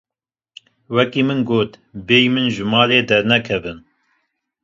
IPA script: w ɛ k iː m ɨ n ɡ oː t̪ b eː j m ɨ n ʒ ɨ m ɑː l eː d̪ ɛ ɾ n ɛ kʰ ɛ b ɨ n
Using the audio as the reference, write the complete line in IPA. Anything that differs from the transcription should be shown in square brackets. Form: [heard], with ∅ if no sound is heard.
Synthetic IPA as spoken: w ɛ k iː m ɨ n ɡ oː t̪ b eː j m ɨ n ʒ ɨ m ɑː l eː d̪ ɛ ɾ n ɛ kʰ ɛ [v] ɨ n